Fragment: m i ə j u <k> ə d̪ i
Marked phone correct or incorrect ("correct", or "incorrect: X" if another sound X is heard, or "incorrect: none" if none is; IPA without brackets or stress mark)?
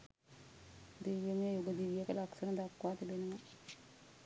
incorrect: ɡ